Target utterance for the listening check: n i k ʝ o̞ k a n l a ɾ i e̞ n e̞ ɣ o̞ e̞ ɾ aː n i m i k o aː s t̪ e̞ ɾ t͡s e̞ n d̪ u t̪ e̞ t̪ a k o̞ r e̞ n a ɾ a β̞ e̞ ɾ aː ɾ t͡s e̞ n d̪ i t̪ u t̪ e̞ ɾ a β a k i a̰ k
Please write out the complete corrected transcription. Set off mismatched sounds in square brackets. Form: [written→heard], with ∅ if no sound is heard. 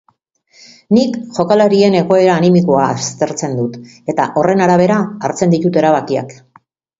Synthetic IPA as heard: n i k ʝ o̞ k a [n→∅] l a ɾ i e̞ n e̞ ɣ o̞ e̞ ɾ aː n i m i k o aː s t̪ e̞ ɾ t͡s e̞ n d̪ u t̪ e̞ t̪ a [k→ʔ] o̞ r e̞ n a ɾ a β̞ e̞ ɾ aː ɾ t͡s e̞ n d̪ i t̪ u t̪ e̞ ɾ a β a k i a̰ k